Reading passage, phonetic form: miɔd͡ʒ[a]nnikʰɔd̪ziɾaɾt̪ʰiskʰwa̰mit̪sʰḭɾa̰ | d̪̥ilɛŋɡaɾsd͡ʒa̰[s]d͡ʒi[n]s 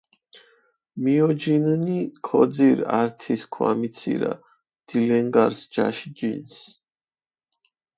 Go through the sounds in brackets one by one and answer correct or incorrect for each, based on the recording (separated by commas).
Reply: incorrect, incorrect, correct